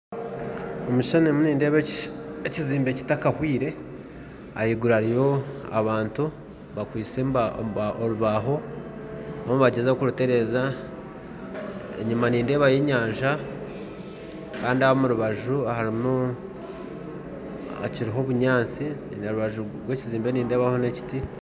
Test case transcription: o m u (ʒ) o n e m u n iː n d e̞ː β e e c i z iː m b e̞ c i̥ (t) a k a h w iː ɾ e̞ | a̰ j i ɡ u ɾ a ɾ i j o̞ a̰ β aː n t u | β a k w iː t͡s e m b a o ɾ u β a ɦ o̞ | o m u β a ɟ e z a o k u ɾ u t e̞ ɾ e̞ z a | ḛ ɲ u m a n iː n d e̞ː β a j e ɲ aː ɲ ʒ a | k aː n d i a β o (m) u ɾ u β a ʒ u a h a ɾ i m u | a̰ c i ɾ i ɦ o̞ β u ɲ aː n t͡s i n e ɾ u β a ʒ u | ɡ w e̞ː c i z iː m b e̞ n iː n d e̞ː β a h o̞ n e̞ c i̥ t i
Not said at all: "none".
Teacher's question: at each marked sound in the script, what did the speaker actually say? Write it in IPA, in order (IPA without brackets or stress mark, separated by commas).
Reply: ʃ, t, m